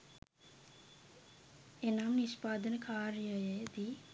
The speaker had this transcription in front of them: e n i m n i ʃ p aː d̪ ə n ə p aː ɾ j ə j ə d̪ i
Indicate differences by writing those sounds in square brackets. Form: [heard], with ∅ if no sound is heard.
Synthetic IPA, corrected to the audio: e n [a] m n i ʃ p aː d̪ ə n ə [k] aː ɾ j ə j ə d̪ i